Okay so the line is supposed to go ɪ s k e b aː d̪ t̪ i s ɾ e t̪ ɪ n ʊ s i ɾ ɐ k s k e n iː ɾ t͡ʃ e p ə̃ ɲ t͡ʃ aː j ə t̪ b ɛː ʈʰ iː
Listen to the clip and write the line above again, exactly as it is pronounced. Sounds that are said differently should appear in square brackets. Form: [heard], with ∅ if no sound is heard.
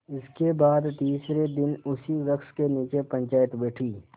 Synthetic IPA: ɪ s k e b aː d̪ t̪ [iː] s ɾ e [d̪] ɪ n ʊ s i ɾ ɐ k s k e n iː [∅] t͡ʃ e p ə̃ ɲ t͡ʃ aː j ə t̪ b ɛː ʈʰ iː